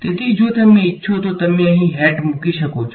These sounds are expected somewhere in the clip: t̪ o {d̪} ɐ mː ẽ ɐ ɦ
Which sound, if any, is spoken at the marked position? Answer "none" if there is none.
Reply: t̪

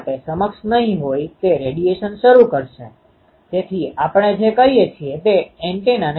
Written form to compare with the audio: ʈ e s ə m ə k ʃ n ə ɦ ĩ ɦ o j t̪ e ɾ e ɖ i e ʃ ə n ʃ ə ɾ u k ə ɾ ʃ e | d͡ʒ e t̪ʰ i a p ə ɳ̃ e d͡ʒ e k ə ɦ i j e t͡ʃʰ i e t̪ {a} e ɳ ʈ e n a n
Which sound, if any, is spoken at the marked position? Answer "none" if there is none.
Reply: e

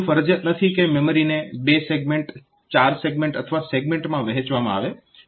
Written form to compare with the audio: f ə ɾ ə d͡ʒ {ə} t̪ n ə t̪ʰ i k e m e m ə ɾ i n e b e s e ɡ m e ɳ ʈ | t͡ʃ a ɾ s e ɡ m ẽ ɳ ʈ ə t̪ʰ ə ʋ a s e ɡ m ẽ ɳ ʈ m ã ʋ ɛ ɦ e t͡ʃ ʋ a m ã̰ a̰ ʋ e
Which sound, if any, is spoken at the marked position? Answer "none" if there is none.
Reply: ə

